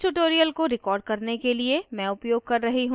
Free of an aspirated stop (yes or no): yes